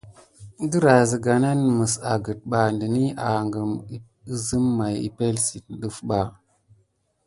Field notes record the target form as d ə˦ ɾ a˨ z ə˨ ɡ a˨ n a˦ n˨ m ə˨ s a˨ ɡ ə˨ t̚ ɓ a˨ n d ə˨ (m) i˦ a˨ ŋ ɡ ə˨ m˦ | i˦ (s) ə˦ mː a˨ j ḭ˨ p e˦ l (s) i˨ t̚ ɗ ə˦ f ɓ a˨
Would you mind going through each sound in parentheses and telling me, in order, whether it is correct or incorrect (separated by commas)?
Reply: incorrect, incorrect, correct